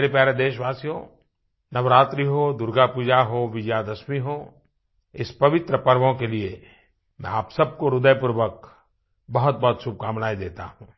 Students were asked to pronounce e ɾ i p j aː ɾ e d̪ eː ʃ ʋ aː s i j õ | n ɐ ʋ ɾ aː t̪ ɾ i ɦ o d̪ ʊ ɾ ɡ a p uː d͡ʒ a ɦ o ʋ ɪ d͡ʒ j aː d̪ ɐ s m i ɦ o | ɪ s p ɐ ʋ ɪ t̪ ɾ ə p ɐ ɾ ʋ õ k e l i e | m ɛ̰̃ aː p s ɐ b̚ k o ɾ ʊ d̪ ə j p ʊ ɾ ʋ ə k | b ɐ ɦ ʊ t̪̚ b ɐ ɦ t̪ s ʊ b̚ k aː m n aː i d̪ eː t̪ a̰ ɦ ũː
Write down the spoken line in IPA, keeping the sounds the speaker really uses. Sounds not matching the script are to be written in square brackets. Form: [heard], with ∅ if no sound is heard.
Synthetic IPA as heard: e ɾ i p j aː ɾ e d̪ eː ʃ ʋ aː s i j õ | n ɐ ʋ ɾ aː t̪ ɾ i ɦ o d̪ ʊ ɾ ɡ a p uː d͡ʒ a ɦ o ʋ ɪ d͡ʒ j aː d̪ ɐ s m i ɦ o | ɪ s p ɐ ʋ ɪ t̪ ɾ ə p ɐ ɾ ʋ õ k e l i e | m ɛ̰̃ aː p s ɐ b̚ k o ɾ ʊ d̪ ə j p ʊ ɾ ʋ ə k | b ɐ ɦ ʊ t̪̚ b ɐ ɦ t̪ [ʃ] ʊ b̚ k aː m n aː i d̪ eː t̪ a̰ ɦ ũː

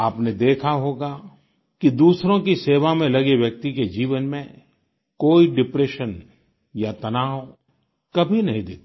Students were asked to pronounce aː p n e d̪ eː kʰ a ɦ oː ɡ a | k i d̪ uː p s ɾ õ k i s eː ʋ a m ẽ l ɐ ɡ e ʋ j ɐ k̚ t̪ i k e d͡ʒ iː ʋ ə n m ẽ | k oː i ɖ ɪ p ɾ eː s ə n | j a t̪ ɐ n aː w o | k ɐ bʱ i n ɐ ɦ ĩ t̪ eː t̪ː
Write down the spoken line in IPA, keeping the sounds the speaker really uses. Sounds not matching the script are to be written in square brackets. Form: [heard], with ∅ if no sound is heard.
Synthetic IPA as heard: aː p n e d̪ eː kʰ a ɦ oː ɡ a | k i d̪ uː [∅] s ɾ õ k i s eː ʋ a m ẽ l ɐ ɡ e ʋ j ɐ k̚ t̪ i k e d͡ʒ iː ʋ ə n m ẽ | k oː i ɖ ɪ p ɾ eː [ʃ] ə n | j a t̪ ɐ n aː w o | k ɐ bʱ i n ɐ ɦ ĩ [d̪] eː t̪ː

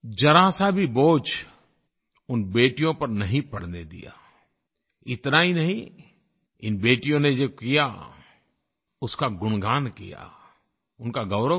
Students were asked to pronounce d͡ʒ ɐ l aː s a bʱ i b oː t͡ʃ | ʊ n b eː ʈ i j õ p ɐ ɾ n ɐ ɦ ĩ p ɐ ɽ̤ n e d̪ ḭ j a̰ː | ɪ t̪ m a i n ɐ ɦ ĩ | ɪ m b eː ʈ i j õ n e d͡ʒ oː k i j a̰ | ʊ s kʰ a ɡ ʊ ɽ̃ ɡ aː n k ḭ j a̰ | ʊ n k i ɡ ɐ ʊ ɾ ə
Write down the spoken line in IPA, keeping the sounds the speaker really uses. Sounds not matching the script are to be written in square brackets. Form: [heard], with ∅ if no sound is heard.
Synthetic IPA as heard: d͡ʒ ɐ [ɾ] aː s a bʱ i b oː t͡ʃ | ʊ n b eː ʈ i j õ p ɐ ɾ n ɐ ɦ ĩ p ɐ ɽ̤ n e d̪ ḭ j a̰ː | ɪ t̪ [n] a i n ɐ ɦ ĩ | ɪ [n] b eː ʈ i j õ n e d͡ʒ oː k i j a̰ | ʊ s [k] a ɡ ʊ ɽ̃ ɡ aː n k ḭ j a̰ | ʊ n k [a] ɡ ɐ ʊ ɾ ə

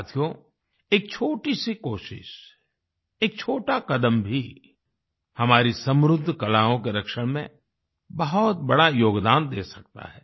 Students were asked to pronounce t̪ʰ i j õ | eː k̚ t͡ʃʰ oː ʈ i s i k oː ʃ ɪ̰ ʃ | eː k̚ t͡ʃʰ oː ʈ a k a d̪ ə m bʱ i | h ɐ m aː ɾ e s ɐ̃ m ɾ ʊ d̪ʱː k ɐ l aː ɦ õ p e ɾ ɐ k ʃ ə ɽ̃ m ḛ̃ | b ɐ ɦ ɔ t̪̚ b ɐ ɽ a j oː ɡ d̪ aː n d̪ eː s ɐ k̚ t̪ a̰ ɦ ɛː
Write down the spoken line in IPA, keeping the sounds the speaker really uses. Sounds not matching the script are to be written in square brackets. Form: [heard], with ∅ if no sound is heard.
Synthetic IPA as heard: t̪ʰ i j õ | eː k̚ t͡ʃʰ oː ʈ i s i k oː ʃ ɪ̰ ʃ | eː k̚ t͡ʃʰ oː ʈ a k [ɐ] d̪ ə m bʱ i | h ɐ m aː ɾ [i] s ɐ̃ m ɾ ʊ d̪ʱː k ɐ l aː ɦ õ [k] e ɾ ɐ k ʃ ə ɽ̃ m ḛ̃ | b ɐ ɦ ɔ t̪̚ b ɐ ɽ a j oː ɡ d̪ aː n d̪ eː s ɐ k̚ t̪ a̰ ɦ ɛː

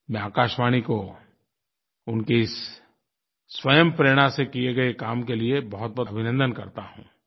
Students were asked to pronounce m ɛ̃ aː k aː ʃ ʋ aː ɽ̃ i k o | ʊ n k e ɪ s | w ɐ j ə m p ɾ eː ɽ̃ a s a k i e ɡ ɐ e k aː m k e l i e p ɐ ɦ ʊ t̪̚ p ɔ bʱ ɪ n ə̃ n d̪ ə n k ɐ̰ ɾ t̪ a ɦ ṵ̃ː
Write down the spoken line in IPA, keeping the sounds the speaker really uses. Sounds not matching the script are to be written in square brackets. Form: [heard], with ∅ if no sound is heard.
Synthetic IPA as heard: m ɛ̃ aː k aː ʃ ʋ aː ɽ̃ i k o | ʊ n k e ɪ s | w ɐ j ə m p ɾ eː ɽ̃ a s [e] k i e ɡ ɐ e k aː m k e l i e [b] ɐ ɦ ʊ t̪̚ [b] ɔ bʱ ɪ n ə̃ n d̪ ə n k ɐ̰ ɾ t̪ a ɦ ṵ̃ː

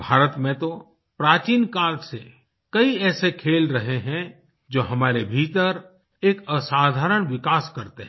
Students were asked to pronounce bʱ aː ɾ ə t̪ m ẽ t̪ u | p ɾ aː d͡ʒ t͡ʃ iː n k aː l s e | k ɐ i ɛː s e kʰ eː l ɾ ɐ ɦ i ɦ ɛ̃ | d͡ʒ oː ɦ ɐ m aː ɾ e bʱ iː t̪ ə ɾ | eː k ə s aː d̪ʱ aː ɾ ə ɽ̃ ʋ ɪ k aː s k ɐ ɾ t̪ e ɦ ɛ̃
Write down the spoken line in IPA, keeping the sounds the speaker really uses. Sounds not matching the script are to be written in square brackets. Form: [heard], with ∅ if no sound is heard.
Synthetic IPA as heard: bʱ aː ɾ ə t̪ m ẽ t̪ [o] | p ɾ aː [∅] t͡ʃ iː n k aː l s e | k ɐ i ɛː s e kʰ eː l ɾ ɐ ɦ [e] ɦ ɛ̃ | d͡ʒ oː ɦ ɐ m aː ɾ e bʱ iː t̪ ə ɾ | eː k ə s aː d̪ʱ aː ɾ ə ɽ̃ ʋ ɪ k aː s k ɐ ɾ t̪ e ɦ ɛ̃

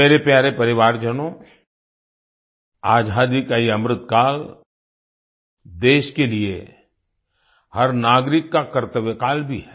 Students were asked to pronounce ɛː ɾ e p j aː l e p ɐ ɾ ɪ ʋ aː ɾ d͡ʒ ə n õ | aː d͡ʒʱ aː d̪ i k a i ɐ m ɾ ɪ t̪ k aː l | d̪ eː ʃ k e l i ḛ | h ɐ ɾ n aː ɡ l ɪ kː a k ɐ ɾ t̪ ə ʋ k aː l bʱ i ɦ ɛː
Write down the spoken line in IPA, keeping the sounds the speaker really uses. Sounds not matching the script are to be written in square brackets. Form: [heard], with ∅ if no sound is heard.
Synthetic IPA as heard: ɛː ɾ e p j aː [ɾ] e p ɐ ɾ ɪ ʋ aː ɾ d͡ʒ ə n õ | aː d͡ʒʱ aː d̪ i k a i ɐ m ɾ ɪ t̪ k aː l | d̪ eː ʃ k e l i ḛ | h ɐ ɾ n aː ɡ [ɾ] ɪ kː a k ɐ ɾ t̪ ə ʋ k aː l bʱ i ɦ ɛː

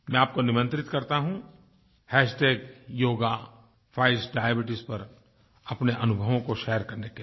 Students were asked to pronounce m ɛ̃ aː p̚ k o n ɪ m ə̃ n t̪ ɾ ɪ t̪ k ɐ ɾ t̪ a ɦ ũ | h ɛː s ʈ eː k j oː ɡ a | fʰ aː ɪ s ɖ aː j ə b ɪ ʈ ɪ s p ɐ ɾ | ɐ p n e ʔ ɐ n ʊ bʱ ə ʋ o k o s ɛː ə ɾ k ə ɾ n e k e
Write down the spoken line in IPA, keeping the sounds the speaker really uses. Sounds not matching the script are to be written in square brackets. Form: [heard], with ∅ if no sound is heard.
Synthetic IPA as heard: m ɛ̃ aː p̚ k o n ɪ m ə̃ n t̪ ɾ ɪ t̪ k ɐ ɾ t̪ a ɦ ũ | h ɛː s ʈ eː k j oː ɡ a | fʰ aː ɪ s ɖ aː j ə b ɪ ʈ ɪ s p ɐ ɾ | ɐ p n e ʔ ɐ n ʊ bʱ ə ʋ [õ] k o [ʃ] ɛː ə ɾ k [ɐ] ɾ n e k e

